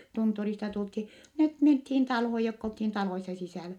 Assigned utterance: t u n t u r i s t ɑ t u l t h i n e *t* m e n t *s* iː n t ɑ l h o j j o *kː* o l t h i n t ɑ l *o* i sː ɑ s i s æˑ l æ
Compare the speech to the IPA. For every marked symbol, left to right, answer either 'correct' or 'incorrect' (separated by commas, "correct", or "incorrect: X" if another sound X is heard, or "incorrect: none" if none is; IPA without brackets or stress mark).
correct, incorrect: h, correct, correct